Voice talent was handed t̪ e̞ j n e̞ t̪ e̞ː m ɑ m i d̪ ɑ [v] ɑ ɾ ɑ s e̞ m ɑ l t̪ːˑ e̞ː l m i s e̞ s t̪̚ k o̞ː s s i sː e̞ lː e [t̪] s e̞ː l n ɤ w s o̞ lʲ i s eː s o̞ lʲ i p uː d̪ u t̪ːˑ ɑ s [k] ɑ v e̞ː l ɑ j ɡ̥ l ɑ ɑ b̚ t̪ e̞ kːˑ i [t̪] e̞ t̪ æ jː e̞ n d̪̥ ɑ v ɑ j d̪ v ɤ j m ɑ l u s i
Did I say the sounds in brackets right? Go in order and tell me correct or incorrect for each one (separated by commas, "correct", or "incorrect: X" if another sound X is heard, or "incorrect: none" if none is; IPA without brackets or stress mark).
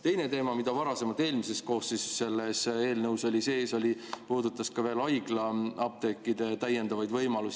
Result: correct, incorrect: none, correct, incorrect: d̪